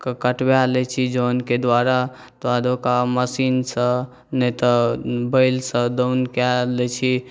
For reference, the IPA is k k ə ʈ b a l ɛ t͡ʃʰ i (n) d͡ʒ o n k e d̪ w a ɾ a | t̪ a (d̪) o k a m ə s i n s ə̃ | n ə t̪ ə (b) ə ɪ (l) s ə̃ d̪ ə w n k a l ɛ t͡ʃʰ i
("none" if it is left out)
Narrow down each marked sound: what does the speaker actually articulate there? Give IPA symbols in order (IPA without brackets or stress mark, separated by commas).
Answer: none, d̪, b, l